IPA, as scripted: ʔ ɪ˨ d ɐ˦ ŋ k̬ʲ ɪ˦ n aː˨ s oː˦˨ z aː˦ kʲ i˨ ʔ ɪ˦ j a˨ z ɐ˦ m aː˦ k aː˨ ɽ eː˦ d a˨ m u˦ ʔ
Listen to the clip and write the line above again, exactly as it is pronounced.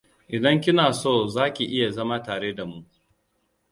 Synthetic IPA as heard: ʔ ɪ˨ d ɐ˦ ŋ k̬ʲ ɪ˦ n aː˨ s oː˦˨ z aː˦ kʲ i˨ ʔ ɪ˦ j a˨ z ɐ˦ m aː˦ t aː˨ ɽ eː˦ d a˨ m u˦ ʔ